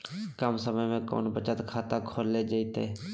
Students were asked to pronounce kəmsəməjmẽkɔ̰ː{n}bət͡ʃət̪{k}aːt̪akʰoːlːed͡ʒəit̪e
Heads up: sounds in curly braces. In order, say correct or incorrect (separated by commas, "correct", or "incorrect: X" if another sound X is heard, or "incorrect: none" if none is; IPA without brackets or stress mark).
correct, incorrect: kʰ